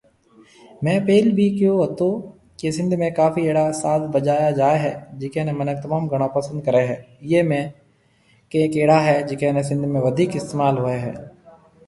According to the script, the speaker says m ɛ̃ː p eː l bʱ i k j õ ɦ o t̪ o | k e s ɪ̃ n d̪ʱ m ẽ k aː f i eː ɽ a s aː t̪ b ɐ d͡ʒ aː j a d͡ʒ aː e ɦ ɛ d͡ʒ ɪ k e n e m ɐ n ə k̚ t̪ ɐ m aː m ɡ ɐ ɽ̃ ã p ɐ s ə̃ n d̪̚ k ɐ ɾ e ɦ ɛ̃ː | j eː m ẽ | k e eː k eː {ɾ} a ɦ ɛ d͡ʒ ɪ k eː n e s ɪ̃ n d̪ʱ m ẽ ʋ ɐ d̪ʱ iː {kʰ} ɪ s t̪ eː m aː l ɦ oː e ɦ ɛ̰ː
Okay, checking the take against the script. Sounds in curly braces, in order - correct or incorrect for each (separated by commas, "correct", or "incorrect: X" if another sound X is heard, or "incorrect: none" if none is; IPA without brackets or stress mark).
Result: incorrect: ɽ, incorrect: k